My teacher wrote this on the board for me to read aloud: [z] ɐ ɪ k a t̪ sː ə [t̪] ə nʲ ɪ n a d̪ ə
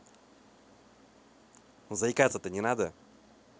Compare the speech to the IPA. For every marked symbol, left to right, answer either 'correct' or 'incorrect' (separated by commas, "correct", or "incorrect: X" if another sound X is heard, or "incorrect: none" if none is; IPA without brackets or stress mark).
correct, correct